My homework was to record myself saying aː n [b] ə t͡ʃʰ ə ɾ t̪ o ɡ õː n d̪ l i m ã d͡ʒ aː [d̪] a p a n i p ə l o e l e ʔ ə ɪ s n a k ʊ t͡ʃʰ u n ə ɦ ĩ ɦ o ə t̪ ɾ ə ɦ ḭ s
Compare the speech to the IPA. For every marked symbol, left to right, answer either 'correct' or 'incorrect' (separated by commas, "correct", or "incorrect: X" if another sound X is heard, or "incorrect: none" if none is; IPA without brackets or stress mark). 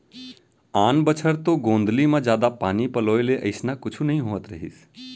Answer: correct, correct